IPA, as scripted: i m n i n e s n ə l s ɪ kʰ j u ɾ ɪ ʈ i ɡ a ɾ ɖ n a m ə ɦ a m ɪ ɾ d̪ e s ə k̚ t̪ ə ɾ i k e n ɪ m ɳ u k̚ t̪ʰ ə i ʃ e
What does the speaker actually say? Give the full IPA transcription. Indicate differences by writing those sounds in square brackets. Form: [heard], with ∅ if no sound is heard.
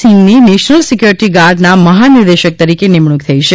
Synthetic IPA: i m n i n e [ʃ] n ə l s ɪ [k] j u ɾ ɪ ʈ i ɡ a ɾ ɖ n a m ə ɦ a [n] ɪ ɾ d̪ e [ʃ] ə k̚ t̪ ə ɾ i k e n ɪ m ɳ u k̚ t̪ʰ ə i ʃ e